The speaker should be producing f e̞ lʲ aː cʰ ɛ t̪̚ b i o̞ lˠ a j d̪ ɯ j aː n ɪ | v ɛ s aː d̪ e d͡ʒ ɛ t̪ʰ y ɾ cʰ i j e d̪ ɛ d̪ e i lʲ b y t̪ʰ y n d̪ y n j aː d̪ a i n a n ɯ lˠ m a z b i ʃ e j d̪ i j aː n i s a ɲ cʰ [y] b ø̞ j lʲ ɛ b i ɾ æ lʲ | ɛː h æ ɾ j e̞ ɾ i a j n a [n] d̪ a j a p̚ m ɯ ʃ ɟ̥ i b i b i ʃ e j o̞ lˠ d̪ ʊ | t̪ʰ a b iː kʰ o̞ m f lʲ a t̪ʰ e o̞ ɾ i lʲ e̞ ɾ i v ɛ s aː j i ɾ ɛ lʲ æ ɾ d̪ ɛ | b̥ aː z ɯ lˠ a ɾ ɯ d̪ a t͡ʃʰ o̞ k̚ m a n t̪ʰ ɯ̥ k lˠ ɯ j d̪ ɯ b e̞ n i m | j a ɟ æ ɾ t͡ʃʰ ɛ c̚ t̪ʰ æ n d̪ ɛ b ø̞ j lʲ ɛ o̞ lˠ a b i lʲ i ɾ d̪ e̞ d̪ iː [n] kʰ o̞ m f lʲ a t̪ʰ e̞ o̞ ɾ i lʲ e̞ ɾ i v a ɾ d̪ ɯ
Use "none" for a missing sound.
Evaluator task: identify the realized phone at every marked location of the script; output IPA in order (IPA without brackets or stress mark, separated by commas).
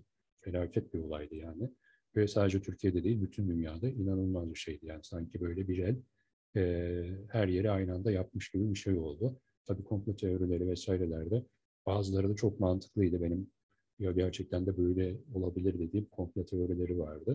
i, n, m